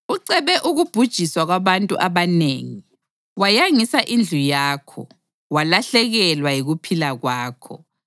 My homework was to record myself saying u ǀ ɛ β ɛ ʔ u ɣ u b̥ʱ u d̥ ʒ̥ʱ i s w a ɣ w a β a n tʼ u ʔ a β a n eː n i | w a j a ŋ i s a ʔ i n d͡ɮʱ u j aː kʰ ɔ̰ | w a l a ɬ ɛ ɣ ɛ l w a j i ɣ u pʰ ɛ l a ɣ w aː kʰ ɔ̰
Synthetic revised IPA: u ǀ ɛ β ɛ ʔ u ɣ u b̥ʱ u d̥ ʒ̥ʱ i s w a ɣ w a β a n tʼ u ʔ a β a n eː ŋ i | w a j a ŋ i s a ʔ i n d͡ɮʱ u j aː kʰ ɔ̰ | w a l a ɬ ɛ ɣ ɛ l w a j i ɣ u pʰ i l a ɣ w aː kʰ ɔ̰

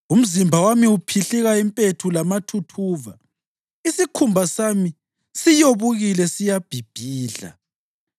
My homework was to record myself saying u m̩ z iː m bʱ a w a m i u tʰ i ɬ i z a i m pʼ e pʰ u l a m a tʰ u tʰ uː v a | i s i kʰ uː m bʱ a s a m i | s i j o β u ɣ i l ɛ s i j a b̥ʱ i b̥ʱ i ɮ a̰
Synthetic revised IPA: u m̩ z i m bʱ a w a m i u pʰ i ɬ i ɣ a i m pʼ e tʰ u l a m a tʰ u tʰ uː v a | i s i kʰ u m bʱ a s a m i | s i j o β u ɣ i l ɛ s i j a b̥ʱ i b̥ʱ iː ɮ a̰

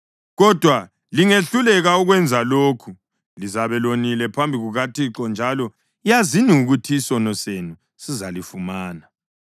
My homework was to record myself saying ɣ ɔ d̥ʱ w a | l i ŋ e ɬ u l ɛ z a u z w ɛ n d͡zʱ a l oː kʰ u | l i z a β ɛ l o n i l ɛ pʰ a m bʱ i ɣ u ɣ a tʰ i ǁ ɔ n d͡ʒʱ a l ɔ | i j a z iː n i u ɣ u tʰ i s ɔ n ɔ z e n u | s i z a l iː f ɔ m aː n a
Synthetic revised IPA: ɣ ɔ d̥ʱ w a | l i ŋ e ɬ u l ɛ ɣ a u ɣ w ɛ n d͡zʱ a l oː kʰ u | l i z a β ɛ l o n i l ɛ pʰ a m bʱ i ɣ u ɣ a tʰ i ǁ ɔ n d͡ʒʱ a l ɔ | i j a z i n i u ɣ u tʰ i s ɔ n ɔ s e n u | s i z a l i f u m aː n a

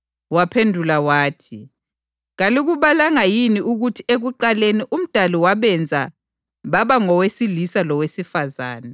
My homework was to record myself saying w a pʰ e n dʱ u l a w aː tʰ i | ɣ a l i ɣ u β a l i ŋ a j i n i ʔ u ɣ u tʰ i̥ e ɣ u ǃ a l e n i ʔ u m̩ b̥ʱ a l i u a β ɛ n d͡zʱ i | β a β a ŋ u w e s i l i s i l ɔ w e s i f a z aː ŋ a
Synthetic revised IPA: w a pʰ e n dʱ u l a w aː tʰ i | ɣ a l i ɣ u β a l a ŋ a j i n i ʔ u ɣ u tʰ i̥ e ɣ u ǃ a l e n i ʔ u m̩ d̥ʱ a l i w a β ɛ n d͡zʱ a | β a β a ŋ ɔ w e s i l i s a l ɔ w e s i f a z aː n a

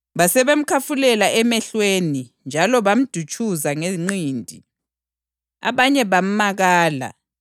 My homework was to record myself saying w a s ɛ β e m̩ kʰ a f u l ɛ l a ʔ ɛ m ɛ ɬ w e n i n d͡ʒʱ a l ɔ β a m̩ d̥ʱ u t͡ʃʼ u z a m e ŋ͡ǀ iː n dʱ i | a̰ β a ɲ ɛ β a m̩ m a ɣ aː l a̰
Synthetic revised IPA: β a s ɛ β e m̩ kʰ a f u l ɛ l a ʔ ɛ m ɛ ɬ w e n i n d͡ʒʱ a l ɔ β a m̩ d̥ʱ u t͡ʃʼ u z a ŋ e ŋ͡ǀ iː n dʱ i | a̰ β a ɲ ɛ β a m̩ m a ɣ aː l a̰

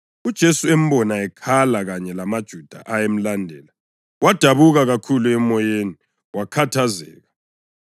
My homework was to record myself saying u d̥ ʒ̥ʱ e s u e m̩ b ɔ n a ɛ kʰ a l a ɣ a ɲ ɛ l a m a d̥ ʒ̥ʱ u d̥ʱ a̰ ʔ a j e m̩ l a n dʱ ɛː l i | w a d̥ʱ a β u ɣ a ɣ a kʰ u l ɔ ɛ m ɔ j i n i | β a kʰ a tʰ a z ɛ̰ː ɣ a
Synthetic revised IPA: u d̥ ʒ̥ʱ e s u e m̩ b ɔ n a ɛ kʰ a l a ɣ a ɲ ɛ l a m a d̥ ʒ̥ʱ u d̥ʱ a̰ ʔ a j e m̩ l a n dʱ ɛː l a | w a d̥ʱ a β u ɣ a ɣ a kʰ u l u ɛ m ɔ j e n i | w a kʰ a tʰ a z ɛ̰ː ɣ a

